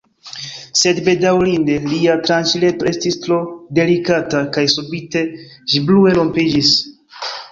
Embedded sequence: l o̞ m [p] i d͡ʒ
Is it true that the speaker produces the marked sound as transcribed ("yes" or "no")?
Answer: yes